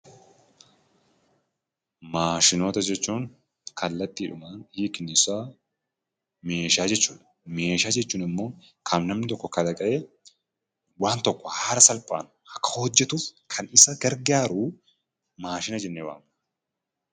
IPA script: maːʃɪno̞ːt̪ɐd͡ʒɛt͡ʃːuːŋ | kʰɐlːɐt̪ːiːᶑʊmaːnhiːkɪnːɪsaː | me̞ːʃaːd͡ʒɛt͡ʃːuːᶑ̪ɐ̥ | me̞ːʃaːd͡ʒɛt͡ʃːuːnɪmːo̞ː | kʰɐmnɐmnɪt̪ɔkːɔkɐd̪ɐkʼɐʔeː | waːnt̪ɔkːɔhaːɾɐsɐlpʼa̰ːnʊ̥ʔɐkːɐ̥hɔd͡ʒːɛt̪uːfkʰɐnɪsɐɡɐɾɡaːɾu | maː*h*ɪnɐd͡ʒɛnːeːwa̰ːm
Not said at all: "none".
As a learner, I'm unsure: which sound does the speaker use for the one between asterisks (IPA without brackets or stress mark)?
ʃ